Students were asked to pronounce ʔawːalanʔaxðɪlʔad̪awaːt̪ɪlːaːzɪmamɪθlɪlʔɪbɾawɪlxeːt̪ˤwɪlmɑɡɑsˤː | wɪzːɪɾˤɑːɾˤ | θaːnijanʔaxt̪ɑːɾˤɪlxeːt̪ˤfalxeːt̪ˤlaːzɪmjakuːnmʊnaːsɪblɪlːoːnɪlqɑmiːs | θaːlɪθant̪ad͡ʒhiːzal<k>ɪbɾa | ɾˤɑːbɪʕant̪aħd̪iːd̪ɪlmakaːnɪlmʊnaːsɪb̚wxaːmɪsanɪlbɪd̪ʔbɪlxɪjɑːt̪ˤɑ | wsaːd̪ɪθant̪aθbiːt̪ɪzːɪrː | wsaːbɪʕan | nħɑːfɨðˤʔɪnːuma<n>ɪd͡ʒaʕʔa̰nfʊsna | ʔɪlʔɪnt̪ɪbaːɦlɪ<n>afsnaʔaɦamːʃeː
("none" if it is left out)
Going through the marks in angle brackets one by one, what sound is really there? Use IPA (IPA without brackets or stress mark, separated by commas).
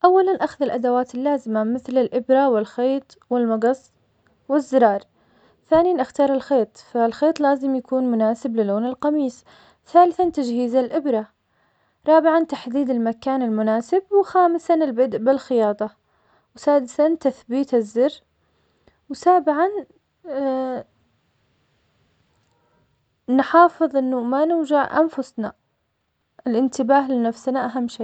ʔ, n, n